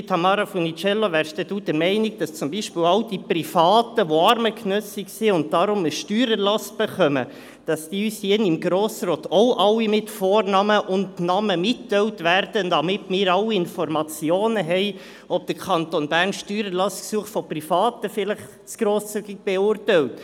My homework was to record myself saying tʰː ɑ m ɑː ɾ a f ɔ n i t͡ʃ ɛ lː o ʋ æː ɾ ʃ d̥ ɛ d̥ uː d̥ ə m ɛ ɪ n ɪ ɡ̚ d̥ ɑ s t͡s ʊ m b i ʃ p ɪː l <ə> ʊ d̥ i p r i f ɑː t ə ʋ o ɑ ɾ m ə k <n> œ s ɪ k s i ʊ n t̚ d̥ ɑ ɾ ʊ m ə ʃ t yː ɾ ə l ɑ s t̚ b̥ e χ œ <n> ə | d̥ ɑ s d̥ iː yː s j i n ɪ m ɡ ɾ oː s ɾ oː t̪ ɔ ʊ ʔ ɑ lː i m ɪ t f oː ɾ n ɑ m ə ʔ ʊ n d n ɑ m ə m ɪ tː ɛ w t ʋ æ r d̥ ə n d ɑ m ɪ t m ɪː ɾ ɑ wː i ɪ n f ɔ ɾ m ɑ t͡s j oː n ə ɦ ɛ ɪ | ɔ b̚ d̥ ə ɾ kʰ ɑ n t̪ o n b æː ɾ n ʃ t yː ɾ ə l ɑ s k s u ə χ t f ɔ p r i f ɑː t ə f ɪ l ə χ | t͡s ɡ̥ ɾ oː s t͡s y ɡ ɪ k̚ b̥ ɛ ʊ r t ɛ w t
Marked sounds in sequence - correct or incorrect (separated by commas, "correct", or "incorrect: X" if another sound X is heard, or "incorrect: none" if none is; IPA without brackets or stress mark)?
incorrect: ɑ, correct, incorrect: m